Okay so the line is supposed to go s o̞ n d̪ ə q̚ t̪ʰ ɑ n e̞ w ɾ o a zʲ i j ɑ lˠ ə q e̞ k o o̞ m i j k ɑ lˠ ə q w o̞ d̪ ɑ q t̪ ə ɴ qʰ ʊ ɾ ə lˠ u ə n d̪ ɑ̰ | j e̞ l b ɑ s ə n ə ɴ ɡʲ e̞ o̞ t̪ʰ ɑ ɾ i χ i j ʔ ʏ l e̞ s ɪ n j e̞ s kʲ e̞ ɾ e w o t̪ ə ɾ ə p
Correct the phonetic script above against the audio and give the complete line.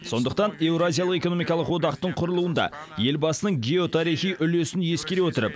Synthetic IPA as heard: s o̞ n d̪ ə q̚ t̪ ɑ n e̞ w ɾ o a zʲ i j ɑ lˠ ə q e̞ k o o̞ m i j k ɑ lˠ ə q w o̞ d̪ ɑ q t̪ ə ɴ qʰ ʊ ɾ ə lˠ u ə n d̪ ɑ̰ | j e̞ l b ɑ s ə n ə ɴ ɡʲ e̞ o̞ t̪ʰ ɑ ɾ i χ i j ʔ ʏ l e̞ s ɪ n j e̞ s kʲ e̞ ɾ e w o t̪ ə ɾ ə p